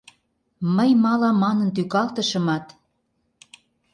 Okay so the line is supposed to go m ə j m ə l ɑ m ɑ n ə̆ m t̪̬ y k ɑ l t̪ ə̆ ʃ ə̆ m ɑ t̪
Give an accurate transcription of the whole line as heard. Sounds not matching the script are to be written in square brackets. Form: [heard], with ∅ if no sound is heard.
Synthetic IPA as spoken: m ə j m [ɑ] l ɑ m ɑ n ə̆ [n] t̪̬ y k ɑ l t̪ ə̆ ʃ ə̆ m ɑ t̪